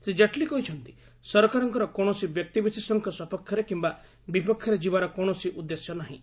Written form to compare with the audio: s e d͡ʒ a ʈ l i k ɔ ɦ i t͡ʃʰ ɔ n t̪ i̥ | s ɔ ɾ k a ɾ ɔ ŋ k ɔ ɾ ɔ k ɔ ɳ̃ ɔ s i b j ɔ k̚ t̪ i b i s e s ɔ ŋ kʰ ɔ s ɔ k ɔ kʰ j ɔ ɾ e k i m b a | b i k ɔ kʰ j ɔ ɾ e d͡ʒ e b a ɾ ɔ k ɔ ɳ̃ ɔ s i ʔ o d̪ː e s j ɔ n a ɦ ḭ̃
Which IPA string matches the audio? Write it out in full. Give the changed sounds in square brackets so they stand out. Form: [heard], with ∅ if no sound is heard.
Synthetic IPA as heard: s e d͡ʒ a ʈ l i k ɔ ɦ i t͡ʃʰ ɔ n t̪ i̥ | s ɔ ɾ k a ɾ ɔ ŋ k ɔ ɾ ɔ k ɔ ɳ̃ ɔ s i b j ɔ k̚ t̪ i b i s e s ɔ ŋ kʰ ɔ s ɔ [p] ɔ kʰ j ɔ ɾ e k i m b a | b i [p] ɔ kʰ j ɔ ɾ e d͡ʒ [i] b a ɾ ɔ k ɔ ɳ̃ ɔ s i ʔ [u] d̪ː e s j ɔ n a ɦ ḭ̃